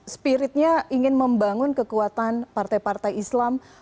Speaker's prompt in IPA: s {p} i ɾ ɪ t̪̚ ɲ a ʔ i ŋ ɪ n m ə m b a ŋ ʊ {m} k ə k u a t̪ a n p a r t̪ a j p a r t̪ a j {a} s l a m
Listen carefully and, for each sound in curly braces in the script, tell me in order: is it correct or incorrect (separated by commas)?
correct, incorrect, incorrect